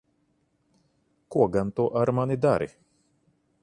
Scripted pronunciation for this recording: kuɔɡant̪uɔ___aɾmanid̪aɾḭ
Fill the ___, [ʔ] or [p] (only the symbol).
ʔ